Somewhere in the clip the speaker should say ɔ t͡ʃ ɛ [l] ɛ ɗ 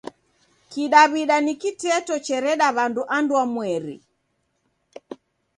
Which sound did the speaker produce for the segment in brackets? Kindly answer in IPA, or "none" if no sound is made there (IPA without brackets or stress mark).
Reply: ɾ